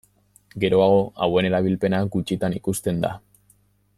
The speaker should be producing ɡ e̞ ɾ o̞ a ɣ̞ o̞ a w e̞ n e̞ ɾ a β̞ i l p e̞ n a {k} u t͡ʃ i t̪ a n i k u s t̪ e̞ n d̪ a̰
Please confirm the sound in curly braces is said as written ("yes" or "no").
no